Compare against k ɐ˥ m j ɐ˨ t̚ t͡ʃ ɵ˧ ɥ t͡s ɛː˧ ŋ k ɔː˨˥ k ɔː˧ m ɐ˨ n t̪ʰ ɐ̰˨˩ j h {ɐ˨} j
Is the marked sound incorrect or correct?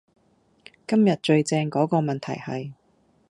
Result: correct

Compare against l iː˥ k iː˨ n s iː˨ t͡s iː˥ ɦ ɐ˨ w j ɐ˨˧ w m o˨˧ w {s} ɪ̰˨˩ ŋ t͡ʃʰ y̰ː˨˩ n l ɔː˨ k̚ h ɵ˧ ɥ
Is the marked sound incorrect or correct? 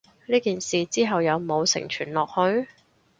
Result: correct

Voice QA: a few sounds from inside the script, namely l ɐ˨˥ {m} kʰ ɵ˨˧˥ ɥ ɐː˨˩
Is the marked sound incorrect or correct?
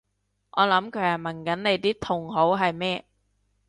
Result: correct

